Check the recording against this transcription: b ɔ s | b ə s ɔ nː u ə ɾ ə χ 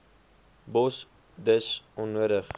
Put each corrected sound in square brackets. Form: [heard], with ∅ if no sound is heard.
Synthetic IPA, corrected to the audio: b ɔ s | [d] ə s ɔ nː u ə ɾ ə χ